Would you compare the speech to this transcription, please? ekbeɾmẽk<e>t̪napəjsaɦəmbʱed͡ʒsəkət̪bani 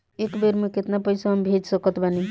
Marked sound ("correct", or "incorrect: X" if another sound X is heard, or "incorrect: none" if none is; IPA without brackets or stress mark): correct